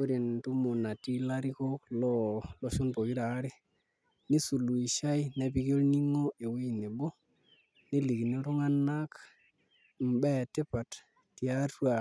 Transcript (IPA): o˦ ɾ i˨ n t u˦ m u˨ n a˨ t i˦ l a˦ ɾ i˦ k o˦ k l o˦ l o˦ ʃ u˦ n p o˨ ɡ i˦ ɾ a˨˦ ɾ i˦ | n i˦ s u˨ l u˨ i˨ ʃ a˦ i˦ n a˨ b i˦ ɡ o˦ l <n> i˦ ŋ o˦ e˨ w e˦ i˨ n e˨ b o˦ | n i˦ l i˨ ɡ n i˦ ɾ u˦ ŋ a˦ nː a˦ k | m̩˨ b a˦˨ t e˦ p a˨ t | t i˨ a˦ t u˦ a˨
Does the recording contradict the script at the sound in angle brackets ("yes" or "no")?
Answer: no